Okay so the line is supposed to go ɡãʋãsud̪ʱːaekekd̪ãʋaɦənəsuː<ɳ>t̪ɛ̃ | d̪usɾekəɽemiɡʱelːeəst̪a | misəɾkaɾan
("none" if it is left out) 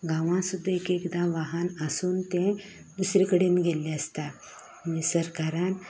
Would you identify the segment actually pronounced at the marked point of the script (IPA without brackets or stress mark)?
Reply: n